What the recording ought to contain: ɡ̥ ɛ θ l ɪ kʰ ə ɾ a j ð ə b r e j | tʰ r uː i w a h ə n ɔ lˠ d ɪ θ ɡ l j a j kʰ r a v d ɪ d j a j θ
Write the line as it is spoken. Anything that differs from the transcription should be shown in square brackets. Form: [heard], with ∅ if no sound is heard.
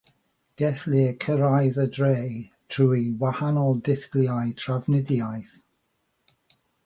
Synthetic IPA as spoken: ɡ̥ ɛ θ l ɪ kʰ ə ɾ a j ð ə [d] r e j | tʰ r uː i w a h [a] n ɔ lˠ d ɪ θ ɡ l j a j [tʰ] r a v [n] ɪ d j a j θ